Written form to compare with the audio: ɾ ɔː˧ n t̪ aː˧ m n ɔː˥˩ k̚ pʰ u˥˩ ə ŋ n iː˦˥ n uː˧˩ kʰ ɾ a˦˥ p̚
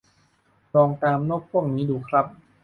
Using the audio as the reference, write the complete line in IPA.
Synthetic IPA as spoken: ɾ ɔː˧ ŋ t̪ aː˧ m n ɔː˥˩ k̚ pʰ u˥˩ ə ŋ n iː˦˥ d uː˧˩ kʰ ɾ a˦˥ p̚